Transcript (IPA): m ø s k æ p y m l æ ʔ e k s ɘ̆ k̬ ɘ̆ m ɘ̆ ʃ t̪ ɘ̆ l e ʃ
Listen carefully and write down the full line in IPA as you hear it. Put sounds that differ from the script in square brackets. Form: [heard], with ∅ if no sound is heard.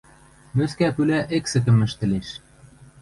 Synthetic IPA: m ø s k æ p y [∅] l æ ʔ e k s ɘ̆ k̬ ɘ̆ m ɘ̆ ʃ t̪ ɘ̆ l e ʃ